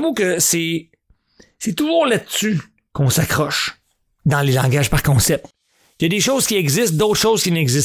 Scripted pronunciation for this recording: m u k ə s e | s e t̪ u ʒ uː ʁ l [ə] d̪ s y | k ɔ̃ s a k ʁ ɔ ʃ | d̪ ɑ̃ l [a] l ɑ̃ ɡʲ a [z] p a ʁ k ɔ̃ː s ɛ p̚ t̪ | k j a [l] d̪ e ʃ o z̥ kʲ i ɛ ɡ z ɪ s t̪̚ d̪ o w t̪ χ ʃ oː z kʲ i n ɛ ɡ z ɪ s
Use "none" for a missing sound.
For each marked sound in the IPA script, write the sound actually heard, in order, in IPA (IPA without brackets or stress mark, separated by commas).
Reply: a, e, ʒ, none